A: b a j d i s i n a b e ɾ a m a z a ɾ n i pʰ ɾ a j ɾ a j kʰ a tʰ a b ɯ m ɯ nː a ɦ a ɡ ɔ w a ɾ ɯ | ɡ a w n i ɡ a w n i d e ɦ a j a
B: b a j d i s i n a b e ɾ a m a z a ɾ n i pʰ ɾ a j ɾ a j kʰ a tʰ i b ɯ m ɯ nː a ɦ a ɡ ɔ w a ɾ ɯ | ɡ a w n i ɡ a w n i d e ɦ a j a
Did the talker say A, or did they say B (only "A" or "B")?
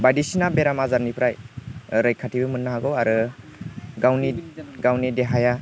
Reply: B